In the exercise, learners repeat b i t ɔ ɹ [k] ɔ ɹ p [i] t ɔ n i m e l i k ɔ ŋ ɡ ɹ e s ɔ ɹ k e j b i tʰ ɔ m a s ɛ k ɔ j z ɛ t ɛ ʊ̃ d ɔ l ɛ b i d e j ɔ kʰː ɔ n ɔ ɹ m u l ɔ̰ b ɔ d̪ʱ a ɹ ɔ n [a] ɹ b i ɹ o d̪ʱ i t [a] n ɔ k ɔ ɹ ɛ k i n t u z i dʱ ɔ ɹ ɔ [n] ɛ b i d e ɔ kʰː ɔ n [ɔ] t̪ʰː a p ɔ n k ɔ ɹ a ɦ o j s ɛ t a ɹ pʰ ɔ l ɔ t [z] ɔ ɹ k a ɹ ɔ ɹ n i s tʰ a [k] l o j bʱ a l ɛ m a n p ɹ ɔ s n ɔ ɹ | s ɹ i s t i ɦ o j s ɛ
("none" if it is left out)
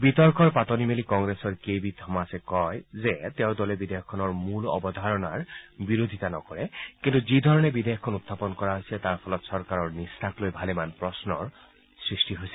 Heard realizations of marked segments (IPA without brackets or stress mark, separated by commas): k, a, a, a, n, u, s, k